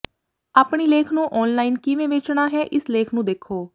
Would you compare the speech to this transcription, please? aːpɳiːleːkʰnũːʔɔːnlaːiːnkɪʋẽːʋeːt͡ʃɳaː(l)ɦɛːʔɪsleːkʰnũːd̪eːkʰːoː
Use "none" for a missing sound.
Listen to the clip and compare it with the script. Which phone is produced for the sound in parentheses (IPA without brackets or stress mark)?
none